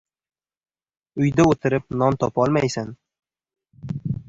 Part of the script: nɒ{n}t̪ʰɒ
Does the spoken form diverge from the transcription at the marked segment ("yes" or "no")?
no